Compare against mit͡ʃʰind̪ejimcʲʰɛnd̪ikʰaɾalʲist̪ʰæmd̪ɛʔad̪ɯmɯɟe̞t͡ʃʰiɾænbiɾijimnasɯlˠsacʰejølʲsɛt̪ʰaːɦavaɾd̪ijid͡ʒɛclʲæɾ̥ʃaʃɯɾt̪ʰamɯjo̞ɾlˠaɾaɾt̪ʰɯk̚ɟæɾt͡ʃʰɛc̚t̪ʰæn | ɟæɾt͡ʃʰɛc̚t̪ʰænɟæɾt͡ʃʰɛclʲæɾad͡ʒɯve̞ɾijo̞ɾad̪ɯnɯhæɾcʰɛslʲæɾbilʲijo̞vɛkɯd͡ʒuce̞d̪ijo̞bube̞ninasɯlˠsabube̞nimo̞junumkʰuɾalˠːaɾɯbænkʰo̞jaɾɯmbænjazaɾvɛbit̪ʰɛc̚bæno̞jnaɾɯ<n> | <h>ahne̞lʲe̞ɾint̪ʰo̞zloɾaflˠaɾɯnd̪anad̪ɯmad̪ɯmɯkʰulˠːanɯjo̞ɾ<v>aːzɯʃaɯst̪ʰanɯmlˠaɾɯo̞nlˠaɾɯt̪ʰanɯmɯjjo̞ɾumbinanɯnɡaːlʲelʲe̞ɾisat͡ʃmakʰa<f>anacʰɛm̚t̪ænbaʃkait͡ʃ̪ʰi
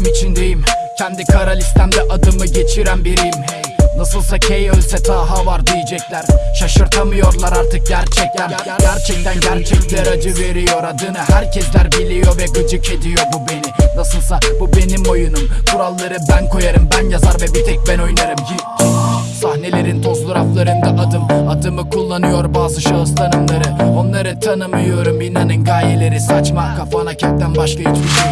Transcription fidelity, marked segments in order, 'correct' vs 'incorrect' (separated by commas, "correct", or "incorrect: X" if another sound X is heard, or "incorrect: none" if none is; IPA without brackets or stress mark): incorrect: m, incorrect: s, incorrect: b, correct